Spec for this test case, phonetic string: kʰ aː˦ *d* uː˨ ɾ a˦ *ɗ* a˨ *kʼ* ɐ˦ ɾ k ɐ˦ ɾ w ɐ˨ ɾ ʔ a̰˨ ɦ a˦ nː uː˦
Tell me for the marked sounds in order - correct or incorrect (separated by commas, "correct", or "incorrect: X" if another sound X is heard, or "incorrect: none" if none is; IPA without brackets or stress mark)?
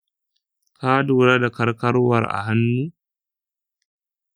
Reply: correct, incorrect: d, incorrect: k